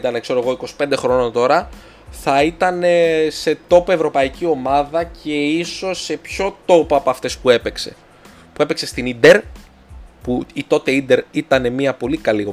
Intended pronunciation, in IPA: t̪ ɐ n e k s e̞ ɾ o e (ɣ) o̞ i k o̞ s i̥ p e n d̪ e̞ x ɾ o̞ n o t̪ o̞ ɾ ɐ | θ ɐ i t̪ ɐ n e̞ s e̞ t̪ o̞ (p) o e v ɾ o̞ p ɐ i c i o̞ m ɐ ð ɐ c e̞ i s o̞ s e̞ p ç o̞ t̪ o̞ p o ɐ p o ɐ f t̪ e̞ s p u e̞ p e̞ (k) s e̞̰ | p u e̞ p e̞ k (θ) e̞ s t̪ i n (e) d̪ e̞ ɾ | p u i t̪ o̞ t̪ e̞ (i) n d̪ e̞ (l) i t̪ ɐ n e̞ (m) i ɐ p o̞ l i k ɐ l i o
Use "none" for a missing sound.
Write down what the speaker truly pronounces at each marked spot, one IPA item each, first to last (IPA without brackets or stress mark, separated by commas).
ɣ, p, k, s, i, i, ɾ, m